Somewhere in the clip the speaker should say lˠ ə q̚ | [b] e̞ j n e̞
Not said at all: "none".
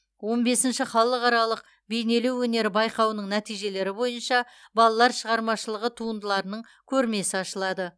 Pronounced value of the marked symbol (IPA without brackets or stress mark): b